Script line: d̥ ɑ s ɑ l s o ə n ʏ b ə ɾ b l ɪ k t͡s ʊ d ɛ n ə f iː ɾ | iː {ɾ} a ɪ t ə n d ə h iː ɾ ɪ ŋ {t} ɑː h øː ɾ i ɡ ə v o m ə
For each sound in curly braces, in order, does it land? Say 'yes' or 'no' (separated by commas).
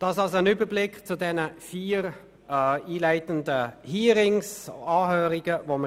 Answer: no, no